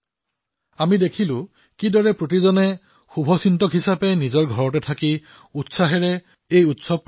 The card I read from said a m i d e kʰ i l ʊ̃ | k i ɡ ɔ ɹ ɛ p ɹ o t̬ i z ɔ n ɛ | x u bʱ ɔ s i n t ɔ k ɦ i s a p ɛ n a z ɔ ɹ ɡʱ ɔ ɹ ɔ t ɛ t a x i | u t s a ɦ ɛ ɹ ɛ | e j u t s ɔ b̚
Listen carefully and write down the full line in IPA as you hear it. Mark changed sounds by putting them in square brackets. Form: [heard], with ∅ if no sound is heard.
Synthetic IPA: a m i d e kʰ i l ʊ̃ | k i [d] ɔ ɹ ɛ p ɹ o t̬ i z ɔ n ɛ | x u bʱ ɔ s i n t ɔ k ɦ i s a p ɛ n [i] z ɔ ɹ ɡʱ ɔ ɹ ɔ t ɛ [tʰ] a [k] i | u t s a ɦ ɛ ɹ ɛ | e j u t s ɔ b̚